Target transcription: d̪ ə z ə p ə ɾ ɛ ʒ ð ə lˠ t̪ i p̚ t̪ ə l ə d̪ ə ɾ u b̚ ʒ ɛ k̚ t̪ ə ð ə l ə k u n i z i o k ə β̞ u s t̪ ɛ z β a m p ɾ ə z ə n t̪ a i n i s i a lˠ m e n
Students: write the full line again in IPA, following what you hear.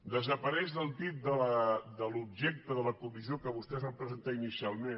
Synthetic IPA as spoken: d̪ ə z ə p ə ɾ ɛ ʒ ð ə lˠ t̪ i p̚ d̪ ə l ə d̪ ə l u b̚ ʒ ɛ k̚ t̪ ə ð ə l ə k u m i z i o k ə β̞ u s t̪ ɛ z β a m p ɾ ə z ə n t̪ a i n i s i a lˠ m e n